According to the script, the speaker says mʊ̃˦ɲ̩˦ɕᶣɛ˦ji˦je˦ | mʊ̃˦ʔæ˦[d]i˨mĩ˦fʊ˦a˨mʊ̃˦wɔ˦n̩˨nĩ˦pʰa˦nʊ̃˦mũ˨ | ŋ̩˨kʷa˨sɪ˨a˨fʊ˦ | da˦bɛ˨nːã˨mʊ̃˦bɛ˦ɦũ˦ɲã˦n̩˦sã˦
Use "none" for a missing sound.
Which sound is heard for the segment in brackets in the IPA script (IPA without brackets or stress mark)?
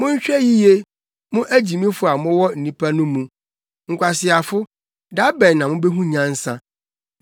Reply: d͡ʑ